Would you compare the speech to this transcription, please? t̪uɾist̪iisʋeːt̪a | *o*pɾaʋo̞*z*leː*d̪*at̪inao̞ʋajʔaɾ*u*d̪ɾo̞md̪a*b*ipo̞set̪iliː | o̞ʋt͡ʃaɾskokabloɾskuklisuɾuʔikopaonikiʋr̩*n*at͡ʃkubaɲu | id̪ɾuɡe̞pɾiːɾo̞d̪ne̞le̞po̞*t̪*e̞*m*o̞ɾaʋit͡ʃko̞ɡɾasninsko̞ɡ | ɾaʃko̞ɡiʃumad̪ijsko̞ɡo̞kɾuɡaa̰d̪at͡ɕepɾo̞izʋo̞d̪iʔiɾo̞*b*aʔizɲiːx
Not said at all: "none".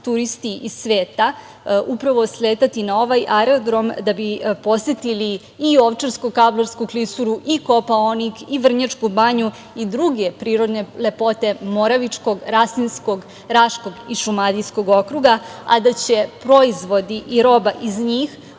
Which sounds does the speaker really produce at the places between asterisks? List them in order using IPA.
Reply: u, s, t̪, o, b, ɲ, t̪, m, b

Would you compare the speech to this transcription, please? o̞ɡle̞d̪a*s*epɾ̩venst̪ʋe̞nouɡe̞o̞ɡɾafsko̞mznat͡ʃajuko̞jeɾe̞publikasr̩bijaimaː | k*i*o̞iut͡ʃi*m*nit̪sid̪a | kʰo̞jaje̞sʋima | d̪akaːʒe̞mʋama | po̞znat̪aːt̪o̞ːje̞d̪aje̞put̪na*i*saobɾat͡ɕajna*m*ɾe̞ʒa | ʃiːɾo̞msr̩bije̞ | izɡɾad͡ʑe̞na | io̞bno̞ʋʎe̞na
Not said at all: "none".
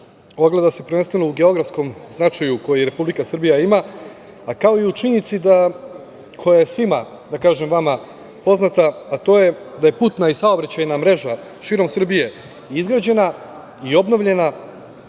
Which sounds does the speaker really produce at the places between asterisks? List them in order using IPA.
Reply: s, a, ɲ, i, m

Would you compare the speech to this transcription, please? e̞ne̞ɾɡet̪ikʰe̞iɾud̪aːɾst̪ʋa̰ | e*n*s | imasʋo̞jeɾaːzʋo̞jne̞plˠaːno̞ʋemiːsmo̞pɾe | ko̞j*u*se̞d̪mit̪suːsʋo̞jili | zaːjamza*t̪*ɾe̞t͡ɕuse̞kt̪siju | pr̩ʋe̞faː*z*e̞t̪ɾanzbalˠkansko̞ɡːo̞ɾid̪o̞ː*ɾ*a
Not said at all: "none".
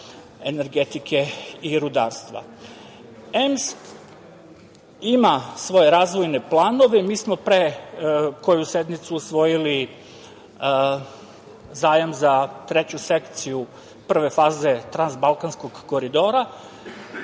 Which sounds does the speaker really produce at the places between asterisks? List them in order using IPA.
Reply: m, u, t̪, z, ɾ

